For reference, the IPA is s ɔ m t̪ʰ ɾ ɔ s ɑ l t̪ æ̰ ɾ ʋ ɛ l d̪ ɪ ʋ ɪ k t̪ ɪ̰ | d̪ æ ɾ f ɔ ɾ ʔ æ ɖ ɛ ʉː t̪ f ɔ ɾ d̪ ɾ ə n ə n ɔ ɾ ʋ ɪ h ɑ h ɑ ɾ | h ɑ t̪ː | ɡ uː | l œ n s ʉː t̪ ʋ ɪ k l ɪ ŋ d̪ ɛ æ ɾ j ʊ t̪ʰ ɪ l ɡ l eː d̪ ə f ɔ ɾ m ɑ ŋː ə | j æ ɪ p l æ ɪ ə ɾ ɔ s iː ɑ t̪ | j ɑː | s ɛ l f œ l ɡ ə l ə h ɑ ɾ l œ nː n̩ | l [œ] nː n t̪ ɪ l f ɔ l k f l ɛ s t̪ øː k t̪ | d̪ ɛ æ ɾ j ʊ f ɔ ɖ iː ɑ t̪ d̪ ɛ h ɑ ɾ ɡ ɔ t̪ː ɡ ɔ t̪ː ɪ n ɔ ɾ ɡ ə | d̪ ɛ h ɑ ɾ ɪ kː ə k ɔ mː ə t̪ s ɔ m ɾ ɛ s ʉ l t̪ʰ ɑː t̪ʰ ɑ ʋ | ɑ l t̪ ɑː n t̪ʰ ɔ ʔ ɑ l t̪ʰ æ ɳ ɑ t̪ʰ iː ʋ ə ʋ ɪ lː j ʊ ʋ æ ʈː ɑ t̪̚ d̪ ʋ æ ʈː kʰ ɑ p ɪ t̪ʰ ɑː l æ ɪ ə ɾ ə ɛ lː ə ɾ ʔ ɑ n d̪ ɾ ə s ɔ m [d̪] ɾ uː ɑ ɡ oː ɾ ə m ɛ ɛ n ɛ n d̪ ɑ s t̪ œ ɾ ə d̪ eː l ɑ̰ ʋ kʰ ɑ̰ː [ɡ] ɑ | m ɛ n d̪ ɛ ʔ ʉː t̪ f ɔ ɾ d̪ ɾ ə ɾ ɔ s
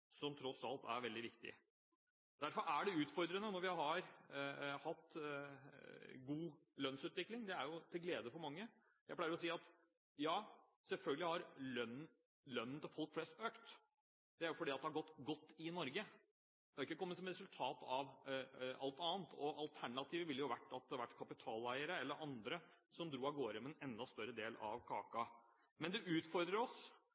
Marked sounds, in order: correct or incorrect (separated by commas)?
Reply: correct, correct, incorrect